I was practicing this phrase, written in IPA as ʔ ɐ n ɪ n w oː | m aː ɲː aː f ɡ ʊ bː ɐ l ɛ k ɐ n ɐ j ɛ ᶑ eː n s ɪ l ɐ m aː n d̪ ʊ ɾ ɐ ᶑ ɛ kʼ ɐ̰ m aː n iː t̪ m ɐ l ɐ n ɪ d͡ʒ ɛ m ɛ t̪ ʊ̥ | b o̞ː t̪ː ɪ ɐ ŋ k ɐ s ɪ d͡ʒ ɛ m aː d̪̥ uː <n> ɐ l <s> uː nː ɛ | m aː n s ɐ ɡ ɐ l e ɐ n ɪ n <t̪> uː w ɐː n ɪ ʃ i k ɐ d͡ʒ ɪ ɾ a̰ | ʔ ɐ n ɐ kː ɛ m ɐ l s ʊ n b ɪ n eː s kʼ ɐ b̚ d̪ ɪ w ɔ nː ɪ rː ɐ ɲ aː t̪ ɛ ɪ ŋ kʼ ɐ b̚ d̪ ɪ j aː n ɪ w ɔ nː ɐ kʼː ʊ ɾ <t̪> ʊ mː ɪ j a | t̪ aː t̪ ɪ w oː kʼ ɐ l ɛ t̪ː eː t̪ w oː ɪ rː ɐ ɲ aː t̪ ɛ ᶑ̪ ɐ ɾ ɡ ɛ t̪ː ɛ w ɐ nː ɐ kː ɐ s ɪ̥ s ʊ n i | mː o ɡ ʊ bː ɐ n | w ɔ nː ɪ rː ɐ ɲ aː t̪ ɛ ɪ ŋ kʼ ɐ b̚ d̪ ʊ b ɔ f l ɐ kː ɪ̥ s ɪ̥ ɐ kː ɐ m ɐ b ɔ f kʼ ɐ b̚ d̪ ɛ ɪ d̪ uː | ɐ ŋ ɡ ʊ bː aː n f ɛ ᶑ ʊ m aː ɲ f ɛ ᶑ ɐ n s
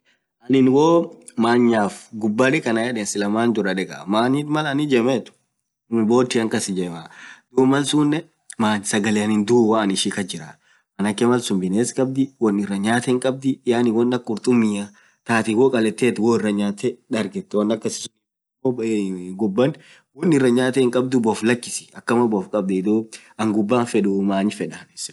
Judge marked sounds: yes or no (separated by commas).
no, yes, no, no